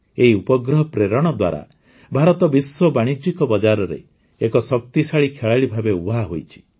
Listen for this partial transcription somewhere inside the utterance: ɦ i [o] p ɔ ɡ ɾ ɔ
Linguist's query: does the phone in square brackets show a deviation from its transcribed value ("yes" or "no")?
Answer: yes